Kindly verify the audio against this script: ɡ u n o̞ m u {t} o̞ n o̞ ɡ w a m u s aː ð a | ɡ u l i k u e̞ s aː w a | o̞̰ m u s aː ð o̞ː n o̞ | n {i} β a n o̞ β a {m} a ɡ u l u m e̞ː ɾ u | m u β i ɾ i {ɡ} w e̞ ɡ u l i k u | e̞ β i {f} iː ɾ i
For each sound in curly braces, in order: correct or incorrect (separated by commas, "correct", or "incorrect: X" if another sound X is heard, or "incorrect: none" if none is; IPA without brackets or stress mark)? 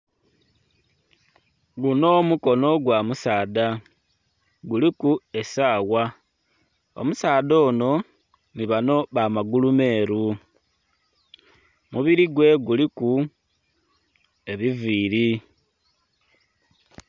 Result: incorrect: k, correct, correct, correct, incorrect: v